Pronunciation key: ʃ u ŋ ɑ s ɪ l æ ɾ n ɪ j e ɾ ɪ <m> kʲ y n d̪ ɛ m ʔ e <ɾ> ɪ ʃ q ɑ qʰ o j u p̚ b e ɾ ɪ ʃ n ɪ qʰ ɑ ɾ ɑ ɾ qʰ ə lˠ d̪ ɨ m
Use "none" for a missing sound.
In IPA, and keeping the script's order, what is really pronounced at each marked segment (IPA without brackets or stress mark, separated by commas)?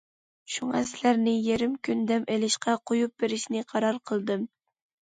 m, l